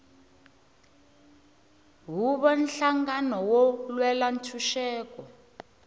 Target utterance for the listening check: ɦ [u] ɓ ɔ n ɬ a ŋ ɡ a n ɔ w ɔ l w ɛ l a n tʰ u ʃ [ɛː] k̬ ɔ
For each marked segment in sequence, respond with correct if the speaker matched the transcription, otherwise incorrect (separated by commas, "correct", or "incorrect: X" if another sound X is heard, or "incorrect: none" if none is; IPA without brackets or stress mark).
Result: correct, correct